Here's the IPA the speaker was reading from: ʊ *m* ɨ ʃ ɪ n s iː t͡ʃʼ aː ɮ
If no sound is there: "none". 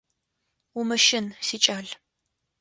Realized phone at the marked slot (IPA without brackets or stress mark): m